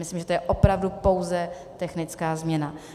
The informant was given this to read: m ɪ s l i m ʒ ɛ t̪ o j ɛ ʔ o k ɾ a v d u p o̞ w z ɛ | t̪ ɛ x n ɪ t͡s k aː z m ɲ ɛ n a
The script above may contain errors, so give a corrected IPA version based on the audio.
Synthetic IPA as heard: m ɪ s l i m ʒ ɛ t̪ o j ɛ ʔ o p ɾ a v d u p o̞ w z ɛ | t̪ ɛ x n ɪ t͡s k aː z m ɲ ɛ n a